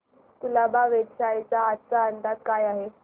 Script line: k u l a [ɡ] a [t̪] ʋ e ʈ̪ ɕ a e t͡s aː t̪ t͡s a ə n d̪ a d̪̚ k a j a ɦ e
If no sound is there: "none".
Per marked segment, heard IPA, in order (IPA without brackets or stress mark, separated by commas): b, none